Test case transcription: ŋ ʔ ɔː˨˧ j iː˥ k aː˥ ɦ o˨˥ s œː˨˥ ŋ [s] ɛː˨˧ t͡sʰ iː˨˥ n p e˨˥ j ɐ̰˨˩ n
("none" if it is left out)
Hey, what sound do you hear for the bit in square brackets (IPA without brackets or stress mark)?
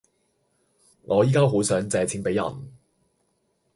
t͡s